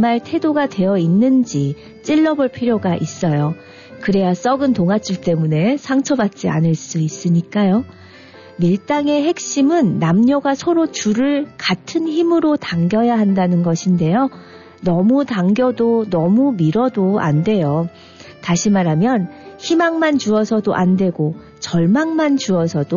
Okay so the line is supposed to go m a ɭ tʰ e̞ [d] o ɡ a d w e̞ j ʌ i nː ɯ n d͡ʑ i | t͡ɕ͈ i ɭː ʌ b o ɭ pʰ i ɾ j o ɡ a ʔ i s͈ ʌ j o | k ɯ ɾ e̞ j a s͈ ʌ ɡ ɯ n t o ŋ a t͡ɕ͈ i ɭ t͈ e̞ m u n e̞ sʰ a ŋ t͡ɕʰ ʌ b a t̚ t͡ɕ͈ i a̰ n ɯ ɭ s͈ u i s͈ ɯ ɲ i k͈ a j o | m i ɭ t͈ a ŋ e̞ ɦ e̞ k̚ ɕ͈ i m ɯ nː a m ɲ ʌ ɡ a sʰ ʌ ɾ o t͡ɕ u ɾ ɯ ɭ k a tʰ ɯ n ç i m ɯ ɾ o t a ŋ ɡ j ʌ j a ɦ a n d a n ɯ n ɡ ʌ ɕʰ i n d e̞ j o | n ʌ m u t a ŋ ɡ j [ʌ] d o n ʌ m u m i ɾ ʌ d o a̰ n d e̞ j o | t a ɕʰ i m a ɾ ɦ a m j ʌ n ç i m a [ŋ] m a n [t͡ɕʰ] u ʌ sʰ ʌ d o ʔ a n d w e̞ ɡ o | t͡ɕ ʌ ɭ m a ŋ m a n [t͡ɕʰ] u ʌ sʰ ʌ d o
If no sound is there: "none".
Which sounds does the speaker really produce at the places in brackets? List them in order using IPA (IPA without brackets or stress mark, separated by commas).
d, ʌ, ŋ, t͡ɕ, t͡ɕ